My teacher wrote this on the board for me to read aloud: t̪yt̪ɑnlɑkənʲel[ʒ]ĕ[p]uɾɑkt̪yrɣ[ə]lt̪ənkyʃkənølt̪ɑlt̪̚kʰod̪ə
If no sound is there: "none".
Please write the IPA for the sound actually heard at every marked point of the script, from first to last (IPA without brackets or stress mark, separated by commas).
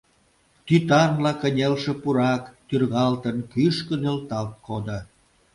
ʃ, p, ɑ